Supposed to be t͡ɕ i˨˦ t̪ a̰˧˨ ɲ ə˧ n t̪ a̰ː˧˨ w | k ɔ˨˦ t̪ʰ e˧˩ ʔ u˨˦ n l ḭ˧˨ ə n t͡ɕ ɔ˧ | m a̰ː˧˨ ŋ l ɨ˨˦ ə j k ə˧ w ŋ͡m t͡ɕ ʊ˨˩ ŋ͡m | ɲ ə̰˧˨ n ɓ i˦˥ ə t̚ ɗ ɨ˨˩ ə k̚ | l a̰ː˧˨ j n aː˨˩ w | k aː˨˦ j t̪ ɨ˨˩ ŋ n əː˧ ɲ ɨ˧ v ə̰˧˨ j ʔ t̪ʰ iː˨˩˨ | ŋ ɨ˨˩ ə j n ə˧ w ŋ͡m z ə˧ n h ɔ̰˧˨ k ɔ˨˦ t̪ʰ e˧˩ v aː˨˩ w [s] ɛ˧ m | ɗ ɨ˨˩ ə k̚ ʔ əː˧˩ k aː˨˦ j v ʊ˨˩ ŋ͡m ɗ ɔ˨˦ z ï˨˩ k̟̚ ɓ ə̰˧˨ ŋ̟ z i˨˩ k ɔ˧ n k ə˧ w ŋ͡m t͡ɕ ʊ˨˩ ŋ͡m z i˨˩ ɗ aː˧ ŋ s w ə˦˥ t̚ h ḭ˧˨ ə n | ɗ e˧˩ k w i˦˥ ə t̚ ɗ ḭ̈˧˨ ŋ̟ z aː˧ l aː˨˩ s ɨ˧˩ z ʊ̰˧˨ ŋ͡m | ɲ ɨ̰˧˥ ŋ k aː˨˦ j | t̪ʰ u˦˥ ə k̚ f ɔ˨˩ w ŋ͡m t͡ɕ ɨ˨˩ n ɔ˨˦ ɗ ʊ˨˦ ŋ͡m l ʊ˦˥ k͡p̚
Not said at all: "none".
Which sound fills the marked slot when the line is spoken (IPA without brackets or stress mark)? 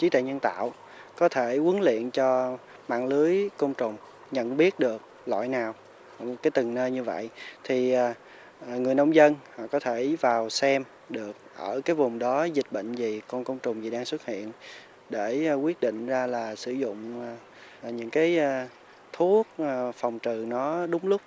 s